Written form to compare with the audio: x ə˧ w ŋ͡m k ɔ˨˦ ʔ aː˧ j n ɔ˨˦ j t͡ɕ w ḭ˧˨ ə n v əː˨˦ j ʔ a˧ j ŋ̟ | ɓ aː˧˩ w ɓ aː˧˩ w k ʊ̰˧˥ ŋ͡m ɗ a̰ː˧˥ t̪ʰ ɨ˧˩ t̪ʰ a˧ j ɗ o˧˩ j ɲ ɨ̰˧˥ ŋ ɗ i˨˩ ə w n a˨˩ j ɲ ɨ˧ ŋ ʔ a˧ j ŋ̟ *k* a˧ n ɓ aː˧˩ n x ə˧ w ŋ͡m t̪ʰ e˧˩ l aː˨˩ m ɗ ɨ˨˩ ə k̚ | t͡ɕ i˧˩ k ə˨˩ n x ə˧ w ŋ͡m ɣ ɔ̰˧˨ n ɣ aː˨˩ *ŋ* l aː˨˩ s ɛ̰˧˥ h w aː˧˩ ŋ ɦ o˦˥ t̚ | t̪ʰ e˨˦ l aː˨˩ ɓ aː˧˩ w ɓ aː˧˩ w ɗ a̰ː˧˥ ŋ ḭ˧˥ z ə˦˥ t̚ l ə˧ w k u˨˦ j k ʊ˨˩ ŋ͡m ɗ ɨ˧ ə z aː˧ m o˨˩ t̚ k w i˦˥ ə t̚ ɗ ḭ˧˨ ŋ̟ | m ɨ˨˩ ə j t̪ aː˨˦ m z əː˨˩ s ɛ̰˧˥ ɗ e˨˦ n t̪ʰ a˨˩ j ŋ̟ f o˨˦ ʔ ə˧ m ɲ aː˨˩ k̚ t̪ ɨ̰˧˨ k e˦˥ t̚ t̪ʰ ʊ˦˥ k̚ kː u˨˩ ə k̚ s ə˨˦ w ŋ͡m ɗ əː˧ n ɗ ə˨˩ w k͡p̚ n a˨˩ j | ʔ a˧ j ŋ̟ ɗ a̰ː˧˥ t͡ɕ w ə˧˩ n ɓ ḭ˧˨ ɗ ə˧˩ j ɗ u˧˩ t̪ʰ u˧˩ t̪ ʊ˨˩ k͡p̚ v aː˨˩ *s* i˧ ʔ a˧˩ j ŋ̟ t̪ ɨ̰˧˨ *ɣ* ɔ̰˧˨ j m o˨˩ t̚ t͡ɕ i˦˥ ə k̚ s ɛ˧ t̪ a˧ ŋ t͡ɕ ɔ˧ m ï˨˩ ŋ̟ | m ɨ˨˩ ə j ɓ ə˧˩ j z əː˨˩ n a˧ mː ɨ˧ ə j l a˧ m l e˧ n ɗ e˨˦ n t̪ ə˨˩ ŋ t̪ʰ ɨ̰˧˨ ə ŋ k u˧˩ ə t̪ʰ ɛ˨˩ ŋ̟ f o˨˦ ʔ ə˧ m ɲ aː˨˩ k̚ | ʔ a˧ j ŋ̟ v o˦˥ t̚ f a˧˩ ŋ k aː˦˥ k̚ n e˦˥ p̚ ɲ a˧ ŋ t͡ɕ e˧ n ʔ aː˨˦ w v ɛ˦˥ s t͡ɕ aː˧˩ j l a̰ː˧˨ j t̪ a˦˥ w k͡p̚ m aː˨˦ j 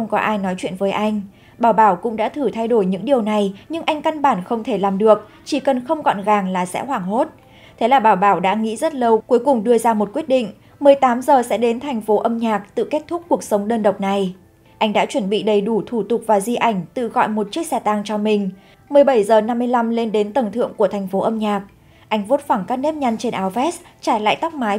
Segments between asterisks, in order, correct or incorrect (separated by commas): correct, correct, incorrect, correct